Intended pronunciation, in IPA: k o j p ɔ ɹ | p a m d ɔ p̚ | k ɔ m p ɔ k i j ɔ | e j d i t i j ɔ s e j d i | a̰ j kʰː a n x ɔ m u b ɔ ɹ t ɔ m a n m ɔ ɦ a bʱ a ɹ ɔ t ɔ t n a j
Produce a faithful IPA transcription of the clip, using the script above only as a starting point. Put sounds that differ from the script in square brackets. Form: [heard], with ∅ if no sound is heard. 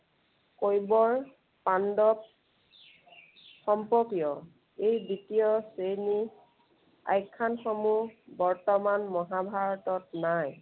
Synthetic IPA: k o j [b] ɔ ɹ | p a [n] d ɔ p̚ | [x] ɔ m p ɔ k i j ɔ | e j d i t i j ɔ s e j [n] i | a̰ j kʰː a n x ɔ m u b ɔ ɹ t ɔ m a n m ɔ ɦ a bʱ a ɹ ɔ t ɔ t n a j